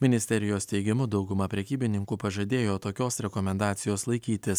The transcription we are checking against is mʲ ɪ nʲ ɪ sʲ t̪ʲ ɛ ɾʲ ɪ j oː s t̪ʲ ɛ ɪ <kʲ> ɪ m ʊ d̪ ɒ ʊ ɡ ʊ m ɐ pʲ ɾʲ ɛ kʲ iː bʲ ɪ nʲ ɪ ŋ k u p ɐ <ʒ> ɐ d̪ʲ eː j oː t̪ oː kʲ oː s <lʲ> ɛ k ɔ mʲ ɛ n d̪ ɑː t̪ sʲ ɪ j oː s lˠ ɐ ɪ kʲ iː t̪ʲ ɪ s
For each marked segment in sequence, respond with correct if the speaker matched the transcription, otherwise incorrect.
incorrect: ɡʲ, correct, incorrect: ɾʲ

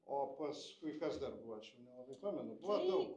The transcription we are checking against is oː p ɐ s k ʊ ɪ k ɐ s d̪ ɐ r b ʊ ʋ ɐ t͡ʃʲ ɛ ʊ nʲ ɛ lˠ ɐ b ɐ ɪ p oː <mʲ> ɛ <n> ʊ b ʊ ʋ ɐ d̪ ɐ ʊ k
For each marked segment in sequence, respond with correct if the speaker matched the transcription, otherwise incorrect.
correct, correct

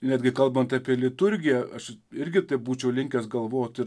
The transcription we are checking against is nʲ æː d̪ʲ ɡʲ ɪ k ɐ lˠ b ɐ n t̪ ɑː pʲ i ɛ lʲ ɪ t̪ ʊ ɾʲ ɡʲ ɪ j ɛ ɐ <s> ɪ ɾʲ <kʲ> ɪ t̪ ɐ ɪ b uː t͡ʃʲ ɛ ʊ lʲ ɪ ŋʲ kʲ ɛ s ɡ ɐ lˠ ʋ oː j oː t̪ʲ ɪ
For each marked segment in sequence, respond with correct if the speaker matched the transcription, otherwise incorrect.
incorrect: ʃ, incorrect: ɡʲ

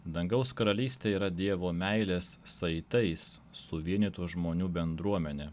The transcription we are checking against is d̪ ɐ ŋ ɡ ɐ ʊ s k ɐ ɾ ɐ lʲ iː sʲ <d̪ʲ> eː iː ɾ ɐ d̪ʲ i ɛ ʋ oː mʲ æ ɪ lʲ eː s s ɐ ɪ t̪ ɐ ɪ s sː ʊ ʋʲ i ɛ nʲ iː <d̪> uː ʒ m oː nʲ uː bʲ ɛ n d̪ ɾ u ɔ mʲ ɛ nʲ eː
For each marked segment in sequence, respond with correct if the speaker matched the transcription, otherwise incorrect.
incorrect: t̪ʲ, incorrect: t̪

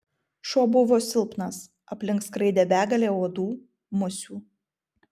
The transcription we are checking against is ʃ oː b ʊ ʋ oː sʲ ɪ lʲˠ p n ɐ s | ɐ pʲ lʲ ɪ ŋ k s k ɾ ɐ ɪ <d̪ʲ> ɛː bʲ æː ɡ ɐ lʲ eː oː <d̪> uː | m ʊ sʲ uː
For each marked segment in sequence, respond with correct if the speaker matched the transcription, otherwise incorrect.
correct, correct

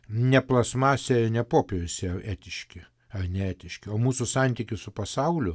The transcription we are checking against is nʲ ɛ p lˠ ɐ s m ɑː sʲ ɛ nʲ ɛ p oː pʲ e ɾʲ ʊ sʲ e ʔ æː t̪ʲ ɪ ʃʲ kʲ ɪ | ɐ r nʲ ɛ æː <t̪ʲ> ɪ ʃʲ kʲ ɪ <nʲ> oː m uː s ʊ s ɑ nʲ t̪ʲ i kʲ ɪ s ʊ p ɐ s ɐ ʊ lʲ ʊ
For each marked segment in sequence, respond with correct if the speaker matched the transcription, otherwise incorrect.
correct, incorrect: none

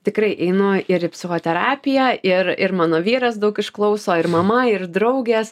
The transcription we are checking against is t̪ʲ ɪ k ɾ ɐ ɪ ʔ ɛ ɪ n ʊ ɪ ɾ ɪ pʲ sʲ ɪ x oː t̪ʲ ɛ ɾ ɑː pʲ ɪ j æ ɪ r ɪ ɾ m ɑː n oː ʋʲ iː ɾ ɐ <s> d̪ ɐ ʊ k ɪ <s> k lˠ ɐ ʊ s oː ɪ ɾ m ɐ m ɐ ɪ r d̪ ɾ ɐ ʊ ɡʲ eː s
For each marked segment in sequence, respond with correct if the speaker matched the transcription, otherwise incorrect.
correct, incorrect: ʃ

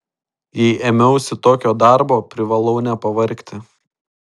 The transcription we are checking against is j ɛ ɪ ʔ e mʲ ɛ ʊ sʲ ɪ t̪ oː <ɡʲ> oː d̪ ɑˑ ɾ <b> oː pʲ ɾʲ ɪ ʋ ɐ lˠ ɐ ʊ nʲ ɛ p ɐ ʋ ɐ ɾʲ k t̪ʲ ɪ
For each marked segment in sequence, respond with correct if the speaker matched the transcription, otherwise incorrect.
incorrect: kʲ, correct

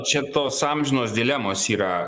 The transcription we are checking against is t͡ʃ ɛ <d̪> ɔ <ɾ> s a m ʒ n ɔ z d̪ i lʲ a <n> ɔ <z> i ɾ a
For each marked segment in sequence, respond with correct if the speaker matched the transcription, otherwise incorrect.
incorrect: t̪, incorrect: none, incorrect: m, incorrect: s

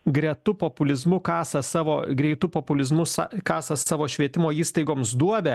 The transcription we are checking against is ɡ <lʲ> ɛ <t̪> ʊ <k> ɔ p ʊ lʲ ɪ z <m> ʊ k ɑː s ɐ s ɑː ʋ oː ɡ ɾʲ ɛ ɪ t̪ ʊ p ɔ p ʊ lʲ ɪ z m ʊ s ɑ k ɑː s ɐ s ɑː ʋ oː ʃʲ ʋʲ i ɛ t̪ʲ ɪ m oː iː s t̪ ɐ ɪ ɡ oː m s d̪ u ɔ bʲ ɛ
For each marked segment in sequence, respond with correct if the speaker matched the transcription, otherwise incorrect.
incorrect: ɾʲ, correct, incorrect: p, correct

